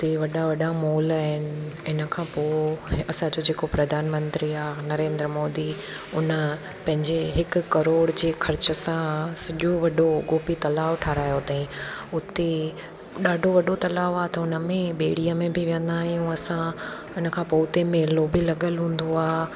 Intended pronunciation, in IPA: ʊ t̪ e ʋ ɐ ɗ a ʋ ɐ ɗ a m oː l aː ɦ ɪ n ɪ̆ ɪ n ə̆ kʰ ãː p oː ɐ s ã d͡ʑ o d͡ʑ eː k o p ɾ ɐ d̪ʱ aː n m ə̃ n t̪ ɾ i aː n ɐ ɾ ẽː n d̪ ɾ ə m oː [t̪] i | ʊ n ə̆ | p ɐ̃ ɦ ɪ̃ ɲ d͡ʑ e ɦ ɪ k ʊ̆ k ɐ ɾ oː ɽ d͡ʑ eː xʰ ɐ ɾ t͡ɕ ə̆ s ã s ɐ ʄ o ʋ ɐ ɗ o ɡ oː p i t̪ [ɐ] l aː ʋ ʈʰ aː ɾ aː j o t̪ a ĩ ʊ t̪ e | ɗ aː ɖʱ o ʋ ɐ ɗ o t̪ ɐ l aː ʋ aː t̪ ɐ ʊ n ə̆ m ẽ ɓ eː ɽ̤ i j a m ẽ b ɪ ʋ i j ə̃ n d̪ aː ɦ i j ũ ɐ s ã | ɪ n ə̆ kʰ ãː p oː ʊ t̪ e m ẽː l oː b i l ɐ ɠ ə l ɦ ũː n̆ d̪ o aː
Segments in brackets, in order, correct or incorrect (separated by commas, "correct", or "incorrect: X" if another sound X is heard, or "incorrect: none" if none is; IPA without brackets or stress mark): incorrect: d̪, correct